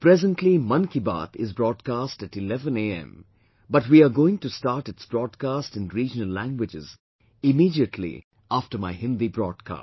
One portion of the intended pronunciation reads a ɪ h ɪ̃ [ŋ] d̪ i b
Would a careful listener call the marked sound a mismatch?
yes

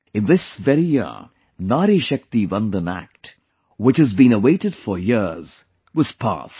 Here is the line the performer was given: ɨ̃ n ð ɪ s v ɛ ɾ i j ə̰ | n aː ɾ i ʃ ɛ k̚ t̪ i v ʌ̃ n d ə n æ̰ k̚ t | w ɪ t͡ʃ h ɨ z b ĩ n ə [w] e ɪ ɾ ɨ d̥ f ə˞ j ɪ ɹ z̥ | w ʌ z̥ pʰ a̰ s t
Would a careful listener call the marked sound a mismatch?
no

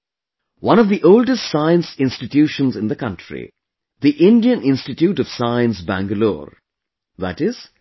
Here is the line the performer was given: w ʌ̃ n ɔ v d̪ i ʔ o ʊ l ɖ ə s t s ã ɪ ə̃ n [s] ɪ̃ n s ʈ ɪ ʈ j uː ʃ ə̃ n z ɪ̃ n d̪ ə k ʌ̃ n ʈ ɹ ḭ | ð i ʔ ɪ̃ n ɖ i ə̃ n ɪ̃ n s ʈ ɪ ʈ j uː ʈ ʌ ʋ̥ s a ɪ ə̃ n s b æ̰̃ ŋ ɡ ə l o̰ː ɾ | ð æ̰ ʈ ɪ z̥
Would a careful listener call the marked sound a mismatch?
no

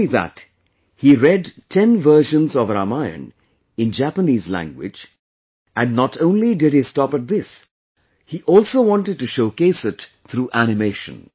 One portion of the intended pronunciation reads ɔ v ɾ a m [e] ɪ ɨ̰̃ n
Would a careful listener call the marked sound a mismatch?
yes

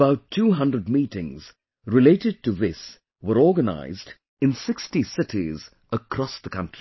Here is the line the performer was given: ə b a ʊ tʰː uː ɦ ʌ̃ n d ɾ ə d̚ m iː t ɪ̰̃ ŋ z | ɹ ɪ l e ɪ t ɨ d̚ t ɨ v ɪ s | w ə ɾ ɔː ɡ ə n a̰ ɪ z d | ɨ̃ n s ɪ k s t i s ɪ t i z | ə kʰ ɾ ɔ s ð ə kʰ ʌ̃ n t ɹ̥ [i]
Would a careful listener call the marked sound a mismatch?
no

